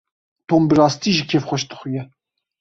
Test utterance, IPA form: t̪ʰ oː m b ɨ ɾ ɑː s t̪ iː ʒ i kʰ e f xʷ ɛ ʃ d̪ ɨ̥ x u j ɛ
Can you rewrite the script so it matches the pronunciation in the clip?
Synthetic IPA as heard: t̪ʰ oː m b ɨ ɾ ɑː s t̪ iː ʒ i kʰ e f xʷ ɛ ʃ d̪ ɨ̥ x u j ɛ